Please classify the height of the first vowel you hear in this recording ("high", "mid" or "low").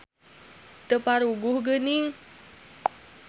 mid